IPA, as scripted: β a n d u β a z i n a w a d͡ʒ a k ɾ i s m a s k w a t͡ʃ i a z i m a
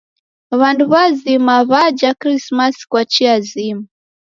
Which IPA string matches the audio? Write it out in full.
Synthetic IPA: β a n d u β a z i m a β a d͡ʒ a k ɾ i s m a s k w a t͡ʃ i a z i m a